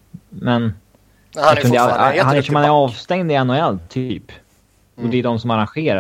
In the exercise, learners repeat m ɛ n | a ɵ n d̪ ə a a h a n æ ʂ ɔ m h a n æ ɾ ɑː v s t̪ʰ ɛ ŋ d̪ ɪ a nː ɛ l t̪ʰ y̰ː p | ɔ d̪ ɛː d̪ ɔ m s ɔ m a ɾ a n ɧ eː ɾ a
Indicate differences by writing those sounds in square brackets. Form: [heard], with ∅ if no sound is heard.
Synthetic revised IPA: m ɛ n | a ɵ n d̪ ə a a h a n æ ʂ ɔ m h a n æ ɾ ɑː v s [t̪] ɛ ŋ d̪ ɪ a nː ɛ l t̪ʰ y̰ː p | ɔ d̪ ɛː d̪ ɔ m s ɔ m a ɾ a n ɧ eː ɾ a